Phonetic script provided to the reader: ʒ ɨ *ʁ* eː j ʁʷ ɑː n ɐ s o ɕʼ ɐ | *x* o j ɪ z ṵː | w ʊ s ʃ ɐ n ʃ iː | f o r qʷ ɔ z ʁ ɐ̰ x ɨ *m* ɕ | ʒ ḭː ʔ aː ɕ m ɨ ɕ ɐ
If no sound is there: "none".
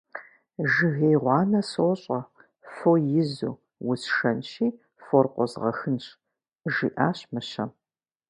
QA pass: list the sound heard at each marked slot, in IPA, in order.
ɣ, f, n

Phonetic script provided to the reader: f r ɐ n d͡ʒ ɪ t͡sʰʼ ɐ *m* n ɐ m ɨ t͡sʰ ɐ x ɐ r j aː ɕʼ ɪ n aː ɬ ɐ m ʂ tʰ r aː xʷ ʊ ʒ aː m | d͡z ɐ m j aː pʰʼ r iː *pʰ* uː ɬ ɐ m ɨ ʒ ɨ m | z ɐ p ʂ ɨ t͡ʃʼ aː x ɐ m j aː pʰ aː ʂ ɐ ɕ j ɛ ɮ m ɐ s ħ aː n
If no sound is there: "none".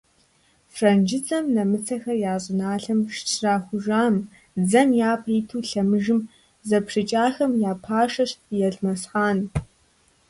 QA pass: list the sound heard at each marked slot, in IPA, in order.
m, tʰ

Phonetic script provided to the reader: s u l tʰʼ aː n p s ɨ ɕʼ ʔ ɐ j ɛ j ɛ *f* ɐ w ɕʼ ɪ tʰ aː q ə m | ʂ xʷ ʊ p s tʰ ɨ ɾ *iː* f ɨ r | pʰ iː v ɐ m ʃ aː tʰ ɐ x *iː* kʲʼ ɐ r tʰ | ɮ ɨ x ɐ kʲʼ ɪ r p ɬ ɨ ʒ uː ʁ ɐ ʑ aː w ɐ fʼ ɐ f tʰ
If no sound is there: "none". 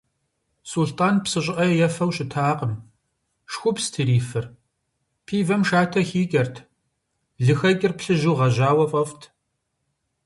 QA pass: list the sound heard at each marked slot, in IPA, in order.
f, iː, iː

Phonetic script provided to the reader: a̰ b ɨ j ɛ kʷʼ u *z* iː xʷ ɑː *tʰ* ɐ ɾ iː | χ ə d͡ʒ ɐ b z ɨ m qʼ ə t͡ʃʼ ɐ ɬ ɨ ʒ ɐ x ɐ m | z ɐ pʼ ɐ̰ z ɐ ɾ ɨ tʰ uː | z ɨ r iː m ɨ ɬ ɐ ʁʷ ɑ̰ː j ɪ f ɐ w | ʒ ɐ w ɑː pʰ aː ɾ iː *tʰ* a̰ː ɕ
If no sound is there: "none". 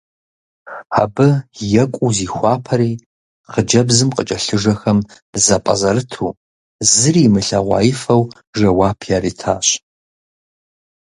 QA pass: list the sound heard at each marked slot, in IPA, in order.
z, pʰ, tʰ

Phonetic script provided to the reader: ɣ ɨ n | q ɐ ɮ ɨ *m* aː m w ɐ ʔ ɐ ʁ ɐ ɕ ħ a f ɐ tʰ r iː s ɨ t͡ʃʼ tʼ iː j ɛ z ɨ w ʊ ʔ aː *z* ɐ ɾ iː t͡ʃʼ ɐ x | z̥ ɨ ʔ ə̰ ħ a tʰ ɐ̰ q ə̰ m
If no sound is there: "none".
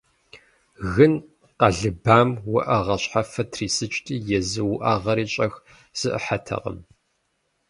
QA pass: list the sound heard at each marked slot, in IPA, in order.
b, ʁ

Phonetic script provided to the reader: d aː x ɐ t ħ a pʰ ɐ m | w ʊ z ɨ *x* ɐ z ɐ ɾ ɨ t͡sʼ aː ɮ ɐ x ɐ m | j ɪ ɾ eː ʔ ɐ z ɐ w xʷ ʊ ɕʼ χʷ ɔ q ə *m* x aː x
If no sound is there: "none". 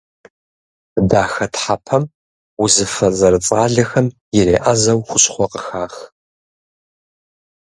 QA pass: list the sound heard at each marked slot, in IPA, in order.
f, none

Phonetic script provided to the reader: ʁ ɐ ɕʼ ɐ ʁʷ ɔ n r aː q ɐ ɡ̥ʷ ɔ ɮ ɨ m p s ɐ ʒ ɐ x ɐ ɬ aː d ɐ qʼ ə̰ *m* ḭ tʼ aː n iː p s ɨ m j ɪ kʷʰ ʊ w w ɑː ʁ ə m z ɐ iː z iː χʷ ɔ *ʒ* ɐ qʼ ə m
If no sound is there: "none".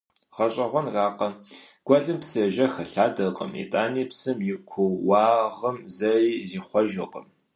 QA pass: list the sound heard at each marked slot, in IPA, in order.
m, ʒ

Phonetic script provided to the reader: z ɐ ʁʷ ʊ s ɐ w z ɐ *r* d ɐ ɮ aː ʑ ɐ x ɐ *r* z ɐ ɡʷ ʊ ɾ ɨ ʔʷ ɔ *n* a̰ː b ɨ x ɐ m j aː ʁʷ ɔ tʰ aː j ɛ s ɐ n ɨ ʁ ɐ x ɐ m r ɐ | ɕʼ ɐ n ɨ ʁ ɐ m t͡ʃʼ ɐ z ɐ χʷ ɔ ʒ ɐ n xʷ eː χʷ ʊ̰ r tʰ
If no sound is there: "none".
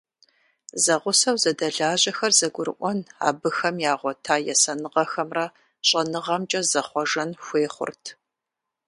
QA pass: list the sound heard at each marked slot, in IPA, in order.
none, r, n

